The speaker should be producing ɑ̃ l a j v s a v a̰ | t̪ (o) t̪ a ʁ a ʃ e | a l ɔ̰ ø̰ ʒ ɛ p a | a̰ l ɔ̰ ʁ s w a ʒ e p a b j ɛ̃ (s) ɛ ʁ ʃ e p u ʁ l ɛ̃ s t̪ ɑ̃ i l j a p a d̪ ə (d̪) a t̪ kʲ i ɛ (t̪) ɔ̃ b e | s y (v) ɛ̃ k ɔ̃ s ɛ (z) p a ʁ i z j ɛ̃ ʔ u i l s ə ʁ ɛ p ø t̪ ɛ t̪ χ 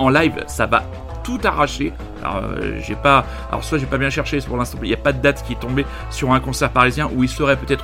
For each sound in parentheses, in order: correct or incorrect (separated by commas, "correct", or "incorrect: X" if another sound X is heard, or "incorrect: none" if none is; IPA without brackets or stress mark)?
incorrect: u, incorrect: ʃ, correct, correct, incorrect: ʁ, incorrect: ʁ